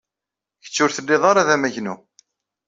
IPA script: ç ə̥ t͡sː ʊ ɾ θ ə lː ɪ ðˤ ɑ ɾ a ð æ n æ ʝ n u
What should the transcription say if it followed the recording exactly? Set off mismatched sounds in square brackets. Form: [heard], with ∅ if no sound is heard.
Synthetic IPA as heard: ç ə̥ t͡sː ʊ ɾ θ ə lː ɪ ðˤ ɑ ɾ a ð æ [m] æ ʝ n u